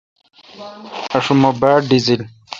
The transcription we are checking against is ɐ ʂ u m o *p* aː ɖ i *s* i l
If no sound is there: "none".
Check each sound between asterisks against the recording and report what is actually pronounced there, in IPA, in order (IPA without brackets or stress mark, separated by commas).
b, z